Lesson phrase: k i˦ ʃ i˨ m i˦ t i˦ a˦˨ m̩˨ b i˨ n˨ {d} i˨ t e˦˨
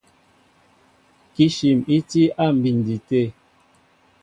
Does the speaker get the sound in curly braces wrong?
no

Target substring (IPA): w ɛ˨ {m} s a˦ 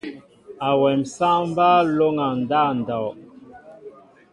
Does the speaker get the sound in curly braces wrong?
no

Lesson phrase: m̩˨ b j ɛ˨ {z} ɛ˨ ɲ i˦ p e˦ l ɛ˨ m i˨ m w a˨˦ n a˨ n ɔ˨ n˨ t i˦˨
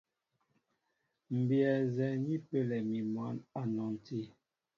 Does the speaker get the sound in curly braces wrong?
no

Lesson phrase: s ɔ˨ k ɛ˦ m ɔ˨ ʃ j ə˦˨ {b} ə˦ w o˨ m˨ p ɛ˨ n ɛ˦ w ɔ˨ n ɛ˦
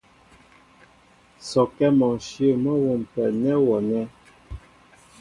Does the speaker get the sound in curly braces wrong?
yes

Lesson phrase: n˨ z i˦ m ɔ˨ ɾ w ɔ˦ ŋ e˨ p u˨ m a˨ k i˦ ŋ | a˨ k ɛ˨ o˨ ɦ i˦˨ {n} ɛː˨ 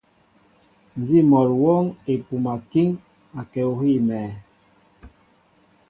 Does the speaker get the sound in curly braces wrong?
yes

